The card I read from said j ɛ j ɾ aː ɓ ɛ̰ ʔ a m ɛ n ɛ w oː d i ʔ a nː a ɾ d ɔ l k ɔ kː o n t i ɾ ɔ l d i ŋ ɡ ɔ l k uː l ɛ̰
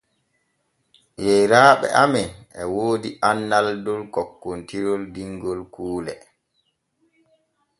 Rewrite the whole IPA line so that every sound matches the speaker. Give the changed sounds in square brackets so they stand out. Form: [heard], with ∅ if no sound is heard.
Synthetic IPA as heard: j ɛ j ɾ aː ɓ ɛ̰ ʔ a m ɛ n ɛ w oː d i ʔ a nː a [l] d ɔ l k ɔ kː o n t i ɾ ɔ l d i ŋ ɡ ɔ l k uː l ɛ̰